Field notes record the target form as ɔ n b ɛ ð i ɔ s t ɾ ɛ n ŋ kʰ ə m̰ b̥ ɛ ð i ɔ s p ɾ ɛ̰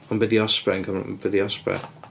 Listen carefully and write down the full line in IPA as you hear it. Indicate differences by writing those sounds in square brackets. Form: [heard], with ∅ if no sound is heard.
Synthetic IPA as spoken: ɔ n b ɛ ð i ɔ s [p] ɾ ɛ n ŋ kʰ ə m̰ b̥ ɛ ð i ɔ s p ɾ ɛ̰